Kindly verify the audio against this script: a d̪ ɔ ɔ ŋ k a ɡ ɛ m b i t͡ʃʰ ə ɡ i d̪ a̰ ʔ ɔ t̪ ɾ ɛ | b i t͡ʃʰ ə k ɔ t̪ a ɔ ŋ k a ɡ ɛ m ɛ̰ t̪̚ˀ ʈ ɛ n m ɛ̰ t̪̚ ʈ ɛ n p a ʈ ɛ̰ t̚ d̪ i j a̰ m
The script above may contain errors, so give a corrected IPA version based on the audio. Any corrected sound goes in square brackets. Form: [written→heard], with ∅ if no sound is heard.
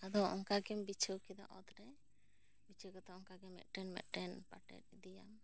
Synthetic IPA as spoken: a d̪ ɔ ɔ ŋ k a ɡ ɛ m b i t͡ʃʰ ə [ɡ→k] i d̪ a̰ ʔ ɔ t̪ ɾ ɛ | b i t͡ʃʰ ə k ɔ t̪ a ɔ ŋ k a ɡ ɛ m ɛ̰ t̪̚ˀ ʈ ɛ n m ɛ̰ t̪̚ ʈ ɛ n p a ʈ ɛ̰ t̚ d̪ i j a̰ m